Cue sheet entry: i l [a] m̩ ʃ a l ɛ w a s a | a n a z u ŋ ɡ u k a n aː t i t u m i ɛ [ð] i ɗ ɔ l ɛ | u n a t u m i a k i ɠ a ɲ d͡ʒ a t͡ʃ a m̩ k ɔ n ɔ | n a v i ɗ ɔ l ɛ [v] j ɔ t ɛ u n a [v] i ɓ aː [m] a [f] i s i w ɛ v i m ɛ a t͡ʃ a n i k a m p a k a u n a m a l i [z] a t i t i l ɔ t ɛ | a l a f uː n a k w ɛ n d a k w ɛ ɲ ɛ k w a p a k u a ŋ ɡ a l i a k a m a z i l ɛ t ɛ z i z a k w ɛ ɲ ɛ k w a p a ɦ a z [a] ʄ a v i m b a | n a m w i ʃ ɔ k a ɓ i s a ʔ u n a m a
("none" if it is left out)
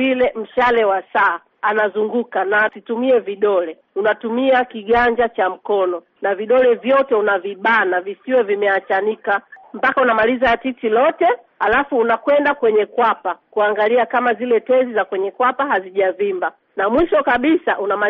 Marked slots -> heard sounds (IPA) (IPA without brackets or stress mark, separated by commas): ɛ, v, v, v, n, v, z, i